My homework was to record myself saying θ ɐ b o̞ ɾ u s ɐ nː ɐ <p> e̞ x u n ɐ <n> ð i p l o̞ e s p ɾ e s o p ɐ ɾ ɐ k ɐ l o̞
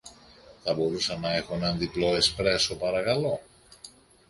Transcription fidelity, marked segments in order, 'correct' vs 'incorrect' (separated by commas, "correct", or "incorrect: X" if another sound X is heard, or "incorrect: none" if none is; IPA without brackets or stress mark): incorrect: none, correct